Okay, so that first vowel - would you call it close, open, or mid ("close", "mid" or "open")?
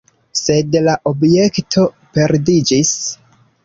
mid